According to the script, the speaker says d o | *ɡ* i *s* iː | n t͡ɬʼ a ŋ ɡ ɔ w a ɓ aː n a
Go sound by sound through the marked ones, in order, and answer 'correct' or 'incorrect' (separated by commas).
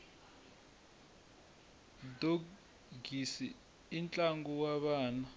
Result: correct, correct